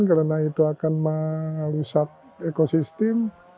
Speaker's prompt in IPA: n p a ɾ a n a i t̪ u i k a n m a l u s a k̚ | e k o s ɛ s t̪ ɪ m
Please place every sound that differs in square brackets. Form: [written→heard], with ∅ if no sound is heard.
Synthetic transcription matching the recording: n [p→k] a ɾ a n a i t̪ u [i→a] k a n m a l u s a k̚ | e k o s [ɛ→i] s t̪ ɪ m